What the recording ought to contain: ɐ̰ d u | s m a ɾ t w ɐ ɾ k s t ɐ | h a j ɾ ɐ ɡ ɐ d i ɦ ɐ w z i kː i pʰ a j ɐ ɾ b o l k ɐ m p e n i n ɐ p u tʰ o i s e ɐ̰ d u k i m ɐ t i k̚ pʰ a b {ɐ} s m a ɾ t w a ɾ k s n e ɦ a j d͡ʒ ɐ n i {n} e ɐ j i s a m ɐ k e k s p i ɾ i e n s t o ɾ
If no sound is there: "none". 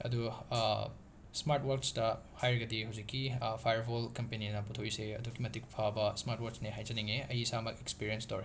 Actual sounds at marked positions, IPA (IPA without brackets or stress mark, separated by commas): ɐ, ŋ